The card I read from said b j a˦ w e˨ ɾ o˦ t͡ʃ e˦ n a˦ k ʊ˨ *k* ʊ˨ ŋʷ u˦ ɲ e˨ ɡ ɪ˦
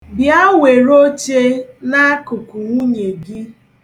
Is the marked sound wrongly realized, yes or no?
no